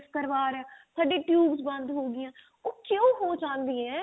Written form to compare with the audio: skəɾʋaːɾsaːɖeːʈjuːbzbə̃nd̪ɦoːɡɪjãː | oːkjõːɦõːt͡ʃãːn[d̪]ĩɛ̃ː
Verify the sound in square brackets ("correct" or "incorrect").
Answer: correct